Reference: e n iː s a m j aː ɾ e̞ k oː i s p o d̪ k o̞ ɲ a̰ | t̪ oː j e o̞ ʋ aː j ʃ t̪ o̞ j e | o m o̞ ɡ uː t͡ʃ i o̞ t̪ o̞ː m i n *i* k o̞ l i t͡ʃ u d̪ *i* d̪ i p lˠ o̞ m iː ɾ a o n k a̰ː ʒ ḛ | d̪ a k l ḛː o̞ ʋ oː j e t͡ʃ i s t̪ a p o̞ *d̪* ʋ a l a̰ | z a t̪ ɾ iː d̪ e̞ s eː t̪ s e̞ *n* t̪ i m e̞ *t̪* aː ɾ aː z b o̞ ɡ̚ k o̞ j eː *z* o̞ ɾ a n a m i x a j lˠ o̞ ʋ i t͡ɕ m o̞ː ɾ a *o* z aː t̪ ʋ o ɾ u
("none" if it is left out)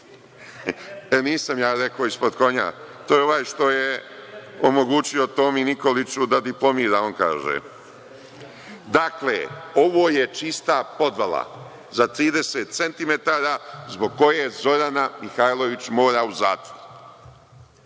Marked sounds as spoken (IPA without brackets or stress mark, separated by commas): i, a, d̪, n, t̪, z, u